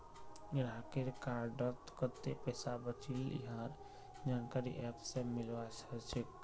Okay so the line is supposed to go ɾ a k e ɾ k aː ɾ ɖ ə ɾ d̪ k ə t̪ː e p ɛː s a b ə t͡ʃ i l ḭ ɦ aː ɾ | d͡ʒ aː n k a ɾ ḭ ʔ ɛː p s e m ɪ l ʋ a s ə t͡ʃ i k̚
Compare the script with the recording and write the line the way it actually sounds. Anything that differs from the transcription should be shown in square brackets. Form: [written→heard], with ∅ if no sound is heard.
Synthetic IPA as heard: ɾ a k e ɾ k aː ɾ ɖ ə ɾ [d̪→t̪] k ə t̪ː e p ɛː s a b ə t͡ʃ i l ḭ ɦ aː ɾ | d͡ʒ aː n k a ɾ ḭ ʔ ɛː p s e m ɪ l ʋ a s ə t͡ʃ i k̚